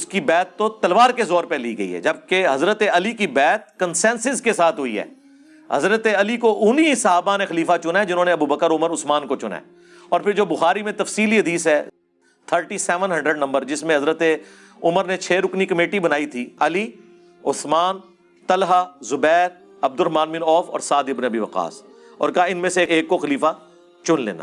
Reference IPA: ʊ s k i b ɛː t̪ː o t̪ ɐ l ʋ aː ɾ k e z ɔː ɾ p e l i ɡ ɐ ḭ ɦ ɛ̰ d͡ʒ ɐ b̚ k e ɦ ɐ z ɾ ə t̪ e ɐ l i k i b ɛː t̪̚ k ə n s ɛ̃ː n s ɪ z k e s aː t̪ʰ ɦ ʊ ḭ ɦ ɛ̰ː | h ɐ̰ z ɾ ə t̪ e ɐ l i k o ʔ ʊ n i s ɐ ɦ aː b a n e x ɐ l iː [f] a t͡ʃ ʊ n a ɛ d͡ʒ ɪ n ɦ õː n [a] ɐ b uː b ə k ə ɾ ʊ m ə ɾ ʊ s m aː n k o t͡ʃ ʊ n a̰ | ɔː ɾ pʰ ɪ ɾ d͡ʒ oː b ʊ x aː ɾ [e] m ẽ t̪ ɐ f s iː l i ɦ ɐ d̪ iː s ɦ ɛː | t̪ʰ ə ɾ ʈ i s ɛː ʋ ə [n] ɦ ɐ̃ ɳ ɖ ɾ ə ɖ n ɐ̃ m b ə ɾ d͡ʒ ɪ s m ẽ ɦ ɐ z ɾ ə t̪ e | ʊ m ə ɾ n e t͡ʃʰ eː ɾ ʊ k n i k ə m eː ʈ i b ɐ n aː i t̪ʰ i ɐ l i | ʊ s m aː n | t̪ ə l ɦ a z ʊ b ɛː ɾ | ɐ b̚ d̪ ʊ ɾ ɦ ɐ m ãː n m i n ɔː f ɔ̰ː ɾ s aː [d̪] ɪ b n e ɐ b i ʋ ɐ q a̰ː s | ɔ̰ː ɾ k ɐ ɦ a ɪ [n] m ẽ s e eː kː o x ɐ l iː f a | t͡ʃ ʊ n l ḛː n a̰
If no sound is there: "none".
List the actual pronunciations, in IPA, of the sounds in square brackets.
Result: f, e, i, n, d̪, n

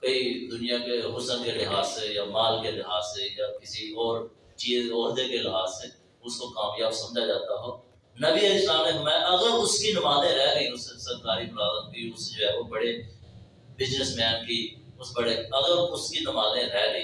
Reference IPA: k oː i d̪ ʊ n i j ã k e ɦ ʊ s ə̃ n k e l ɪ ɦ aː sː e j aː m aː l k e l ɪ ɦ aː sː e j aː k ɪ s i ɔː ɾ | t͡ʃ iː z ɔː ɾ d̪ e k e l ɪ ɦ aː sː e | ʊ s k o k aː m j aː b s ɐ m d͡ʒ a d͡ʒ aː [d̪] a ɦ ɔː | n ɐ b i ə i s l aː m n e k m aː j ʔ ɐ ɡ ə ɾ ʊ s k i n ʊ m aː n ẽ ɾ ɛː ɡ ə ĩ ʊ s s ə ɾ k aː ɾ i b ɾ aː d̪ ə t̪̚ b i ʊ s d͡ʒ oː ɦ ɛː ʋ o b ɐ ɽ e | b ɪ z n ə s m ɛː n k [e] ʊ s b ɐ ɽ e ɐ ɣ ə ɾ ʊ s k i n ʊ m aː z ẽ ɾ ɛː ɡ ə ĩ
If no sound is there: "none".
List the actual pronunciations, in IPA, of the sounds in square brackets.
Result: t̪, i

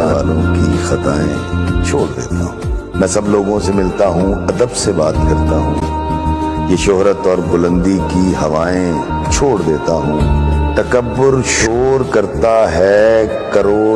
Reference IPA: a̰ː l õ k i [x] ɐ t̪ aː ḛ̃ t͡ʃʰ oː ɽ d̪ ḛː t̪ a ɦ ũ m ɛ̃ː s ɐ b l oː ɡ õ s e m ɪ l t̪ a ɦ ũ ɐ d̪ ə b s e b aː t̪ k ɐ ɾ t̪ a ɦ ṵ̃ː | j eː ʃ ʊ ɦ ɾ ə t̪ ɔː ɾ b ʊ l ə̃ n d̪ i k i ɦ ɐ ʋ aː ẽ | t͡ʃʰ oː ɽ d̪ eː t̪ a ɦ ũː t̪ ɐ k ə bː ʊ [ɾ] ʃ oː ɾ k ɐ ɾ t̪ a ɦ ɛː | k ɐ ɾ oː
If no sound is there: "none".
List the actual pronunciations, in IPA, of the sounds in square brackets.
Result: x, ɾ

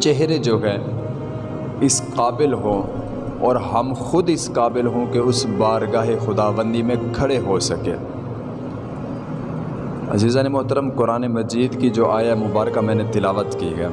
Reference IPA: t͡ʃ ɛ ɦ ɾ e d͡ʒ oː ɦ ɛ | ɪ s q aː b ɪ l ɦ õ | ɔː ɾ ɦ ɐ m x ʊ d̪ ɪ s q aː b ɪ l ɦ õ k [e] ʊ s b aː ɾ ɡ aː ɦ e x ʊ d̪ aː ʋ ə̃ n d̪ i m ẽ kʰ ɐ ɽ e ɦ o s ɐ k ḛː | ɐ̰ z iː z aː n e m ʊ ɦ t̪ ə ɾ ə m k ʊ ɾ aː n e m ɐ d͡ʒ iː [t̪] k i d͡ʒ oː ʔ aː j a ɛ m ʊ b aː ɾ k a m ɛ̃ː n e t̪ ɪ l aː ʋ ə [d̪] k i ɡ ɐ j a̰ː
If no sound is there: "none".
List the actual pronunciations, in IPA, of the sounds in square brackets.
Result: e, d̪, t̪

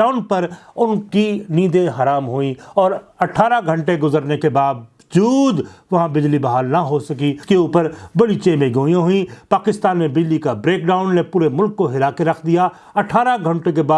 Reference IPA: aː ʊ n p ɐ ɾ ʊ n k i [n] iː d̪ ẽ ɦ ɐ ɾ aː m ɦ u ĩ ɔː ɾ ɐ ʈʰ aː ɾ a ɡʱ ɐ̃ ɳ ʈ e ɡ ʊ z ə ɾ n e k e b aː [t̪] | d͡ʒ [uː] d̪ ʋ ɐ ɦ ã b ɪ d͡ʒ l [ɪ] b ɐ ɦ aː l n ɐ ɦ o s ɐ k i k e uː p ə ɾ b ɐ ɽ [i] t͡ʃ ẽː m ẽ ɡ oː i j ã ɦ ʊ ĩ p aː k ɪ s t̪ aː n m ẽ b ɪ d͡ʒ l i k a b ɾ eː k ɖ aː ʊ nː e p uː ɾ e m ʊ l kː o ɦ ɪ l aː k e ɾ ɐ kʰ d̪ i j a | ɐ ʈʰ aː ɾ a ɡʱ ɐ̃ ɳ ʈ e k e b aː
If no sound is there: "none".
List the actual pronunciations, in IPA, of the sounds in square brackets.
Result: n, d̪, uː, i, i

